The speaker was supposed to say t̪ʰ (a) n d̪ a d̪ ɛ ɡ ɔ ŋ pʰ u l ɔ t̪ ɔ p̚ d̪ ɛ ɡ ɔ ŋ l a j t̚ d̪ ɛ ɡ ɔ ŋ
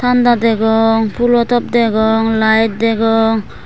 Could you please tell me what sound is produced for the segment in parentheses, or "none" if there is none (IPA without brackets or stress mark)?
a